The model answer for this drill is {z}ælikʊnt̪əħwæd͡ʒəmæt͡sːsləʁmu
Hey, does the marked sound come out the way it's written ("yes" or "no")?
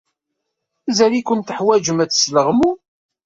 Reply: yes